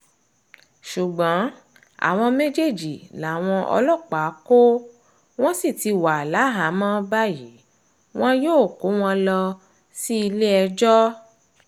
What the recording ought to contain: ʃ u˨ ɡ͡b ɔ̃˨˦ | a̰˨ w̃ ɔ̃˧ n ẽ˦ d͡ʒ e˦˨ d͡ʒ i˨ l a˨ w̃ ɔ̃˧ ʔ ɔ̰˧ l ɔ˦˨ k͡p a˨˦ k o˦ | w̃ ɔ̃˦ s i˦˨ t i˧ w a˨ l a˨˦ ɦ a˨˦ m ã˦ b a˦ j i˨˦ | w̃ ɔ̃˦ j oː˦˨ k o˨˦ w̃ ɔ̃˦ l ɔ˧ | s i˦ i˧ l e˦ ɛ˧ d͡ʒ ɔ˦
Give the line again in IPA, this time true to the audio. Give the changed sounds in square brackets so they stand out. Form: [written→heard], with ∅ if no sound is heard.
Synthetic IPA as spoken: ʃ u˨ ɡ͡b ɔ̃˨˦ | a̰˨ w̃ ɔ̃˧ [n→m] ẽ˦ d͡ʒ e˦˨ d͡ʒ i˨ l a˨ w̃ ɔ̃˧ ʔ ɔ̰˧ l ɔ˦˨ k͡p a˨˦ k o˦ | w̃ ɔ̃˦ s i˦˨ t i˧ w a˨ l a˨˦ ɦ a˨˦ m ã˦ b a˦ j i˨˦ | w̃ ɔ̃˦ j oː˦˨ k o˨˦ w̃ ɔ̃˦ l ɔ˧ | s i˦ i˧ l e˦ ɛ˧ d͡ʒ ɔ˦